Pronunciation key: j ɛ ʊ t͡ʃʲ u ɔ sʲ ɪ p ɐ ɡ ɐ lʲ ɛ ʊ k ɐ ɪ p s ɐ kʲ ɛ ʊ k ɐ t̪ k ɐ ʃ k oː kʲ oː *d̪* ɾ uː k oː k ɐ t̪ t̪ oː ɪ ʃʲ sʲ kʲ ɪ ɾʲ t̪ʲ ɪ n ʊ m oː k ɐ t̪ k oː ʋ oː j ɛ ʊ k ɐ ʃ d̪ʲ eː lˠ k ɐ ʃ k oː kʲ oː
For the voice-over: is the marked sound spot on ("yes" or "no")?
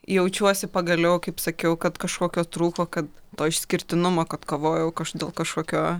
no